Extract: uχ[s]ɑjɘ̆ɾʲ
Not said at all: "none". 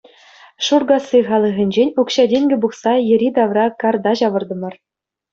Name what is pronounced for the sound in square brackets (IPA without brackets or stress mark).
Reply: s